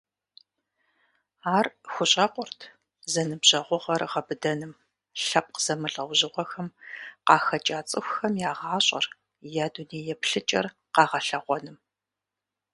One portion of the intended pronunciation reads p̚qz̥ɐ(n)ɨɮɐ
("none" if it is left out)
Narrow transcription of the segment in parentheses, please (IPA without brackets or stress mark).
m